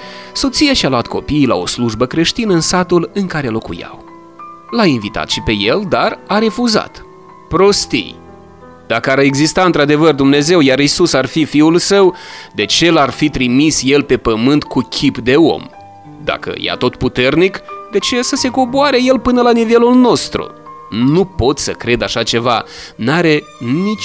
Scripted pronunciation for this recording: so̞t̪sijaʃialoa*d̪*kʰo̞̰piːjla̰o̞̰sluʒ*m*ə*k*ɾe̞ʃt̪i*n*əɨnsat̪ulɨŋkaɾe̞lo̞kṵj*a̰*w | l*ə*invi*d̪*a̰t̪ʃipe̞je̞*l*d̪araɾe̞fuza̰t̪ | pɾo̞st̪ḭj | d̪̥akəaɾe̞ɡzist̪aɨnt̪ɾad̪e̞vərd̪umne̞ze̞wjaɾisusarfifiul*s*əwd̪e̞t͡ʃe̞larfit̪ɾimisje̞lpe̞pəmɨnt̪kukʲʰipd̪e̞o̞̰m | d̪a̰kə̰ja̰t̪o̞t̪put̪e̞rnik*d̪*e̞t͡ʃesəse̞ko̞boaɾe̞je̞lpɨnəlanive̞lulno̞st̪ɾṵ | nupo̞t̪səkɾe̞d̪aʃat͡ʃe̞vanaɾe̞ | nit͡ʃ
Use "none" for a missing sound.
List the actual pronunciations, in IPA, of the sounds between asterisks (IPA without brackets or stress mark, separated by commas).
t̪, b, k, n, a̰, a, t̪, l, s, d̪